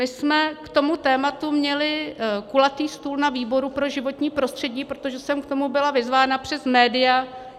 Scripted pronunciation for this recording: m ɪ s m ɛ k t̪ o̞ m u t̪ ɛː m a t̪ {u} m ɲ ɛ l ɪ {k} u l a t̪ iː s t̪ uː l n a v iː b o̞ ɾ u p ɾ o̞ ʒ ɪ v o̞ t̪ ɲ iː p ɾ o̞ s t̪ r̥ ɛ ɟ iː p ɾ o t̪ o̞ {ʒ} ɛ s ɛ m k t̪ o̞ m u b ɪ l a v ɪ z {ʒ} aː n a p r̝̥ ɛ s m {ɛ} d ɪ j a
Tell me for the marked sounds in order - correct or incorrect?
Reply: correct, correct, correct, incorrect, incorrect

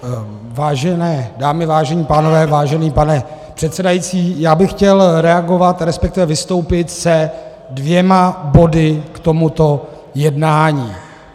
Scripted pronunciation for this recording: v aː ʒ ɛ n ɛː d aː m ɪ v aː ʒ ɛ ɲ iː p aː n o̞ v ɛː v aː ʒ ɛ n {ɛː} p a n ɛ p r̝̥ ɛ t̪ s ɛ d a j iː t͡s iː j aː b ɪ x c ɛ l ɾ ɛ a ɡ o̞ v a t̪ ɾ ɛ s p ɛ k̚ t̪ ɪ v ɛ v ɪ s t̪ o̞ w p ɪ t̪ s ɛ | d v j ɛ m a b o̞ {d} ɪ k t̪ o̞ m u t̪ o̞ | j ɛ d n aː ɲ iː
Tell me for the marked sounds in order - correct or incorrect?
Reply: incorrect, correct

